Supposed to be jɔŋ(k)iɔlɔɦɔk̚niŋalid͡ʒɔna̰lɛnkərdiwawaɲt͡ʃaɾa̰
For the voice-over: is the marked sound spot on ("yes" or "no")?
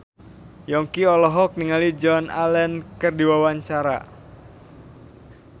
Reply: yes